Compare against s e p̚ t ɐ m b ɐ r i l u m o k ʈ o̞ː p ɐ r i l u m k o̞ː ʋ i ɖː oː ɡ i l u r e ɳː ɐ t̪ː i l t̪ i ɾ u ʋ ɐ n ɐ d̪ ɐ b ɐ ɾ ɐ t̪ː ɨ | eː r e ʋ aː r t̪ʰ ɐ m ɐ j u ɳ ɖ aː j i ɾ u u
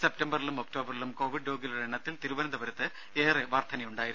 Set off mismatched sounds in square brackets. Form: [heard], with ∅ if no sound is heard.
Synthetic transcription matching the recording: s e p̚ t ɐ m b ɐ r i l u m o k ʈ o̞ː [b] ɐ r i l u m k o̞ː ʋ i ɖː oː ɡ i l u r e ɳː ɐ t̪ː i l t̪ i ɾ u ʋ ɐ n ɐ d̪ ɐ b ɐ ɾ ɐ t̪ː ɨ | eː r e ʋ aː r t̪ʰ ɐ [n] ɐ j u ɳ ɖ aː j i ɾ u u